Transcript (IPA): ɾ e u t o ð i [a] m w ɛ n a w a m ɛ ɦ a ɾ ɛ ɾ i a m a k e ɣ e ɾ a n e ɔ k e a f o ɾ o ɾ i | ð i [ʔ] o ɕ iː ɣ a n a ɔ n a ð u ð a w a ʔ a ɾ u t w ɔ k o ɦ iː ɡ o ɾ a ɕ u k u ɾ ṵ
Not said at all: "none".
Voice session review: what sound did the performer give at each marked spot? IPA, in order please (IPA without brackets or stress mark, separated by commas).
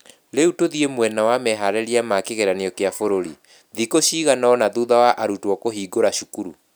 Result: e, k